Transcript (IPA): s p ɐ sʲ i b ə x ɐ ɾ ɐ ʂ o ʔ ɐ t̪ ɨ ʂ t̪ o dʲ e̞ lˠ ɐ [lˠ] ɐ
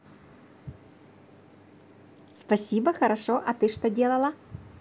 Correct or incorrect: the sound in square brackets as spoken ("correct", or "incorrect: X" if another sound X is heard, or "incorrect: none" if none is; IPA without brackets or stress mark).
correct